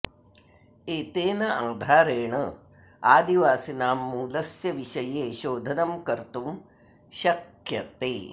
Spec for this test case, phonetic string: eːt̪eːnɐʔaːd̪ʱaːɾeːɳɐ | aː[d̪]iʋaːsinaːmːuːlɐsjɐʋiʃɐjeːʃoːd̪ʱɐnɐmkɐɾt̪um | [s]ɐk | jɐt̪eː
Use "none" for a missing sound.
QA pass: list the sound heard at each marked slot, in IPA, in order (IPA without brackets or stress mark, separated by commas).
d̪, ʃ